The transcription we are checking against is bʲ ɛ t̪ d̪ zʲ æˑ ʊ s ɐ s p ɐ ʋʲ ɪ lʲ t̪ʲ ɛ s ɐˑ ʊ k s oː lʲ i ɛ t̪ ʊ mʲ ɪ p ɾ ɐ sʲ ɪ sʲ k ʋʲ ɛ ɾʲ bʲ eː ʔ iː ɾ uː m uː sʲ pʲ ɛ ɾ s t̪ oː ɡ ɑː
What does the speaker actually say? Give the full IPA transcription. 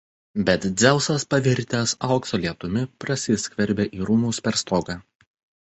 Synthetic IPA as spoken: bʲ ɛ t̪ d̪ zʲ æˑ ʊ s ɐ s p ɐ ʋʲ ɪ ɾʲ t̪ʲ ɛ s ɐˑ ʊ k s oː lʲ i ɛ t̪ ʊ mʲ ɪ p ɾ ɐ sʲ ɪ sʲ k ʋʲ ɛ ɾʲ bʲ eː ʔ iː ɾ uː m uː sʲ pʲ ɛ ɾ s t̪ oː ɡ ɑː